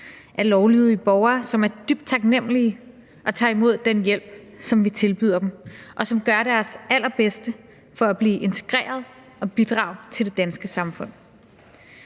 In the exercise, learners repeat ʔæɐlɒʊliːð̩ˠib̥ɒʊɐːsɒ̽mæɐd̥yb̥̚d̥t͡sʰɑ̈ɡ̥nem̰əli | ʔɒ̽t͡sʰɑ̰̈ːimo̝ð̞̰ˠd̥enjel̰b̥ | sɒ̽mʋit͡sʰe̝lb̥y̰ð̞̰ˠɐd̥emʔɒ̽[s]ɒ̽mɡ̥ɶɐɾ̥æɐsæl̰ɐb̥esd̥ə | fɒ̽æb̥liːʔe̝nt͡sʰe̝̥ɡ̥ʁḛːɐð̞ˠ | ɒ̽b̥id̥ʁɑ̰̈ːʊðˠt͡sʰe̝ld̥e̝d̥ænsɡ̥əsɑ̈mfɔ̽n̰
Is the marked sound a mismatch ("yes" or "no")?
no